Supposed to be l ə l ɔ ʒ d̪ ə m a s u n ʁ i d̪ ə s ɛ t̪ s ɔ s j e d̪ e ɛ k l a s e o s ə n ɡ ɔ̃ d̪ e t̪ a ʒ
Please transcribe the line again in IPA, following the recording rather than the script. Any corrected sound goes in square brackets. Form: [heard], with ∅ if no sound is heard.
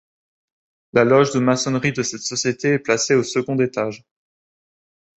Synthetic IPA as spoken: l [a] l ɔ ʒ d̪ ə m a s [ɔ] n ʁ i d̪ ə s ɛ t̪ s ɔ s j e [t̪] e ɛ [p] l a s e o s ə [∅] ɡ ɔ̃ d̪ e t̪ a ʒ